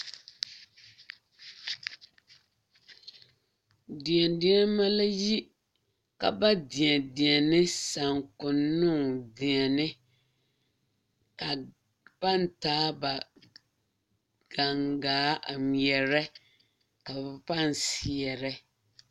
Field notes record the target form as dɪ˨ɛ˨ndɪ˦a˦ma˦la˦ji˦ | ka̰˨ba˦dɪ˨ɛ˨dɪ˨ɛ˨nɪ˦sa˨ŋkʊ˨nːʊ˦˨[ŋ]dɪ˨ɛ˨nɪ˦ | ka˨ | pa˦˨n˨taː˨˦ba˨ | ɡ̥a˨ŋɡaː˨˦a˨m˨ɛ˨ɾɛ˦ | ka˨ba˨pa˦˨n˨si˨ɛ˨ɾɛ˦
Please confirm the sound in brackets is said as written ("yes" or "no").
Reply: yes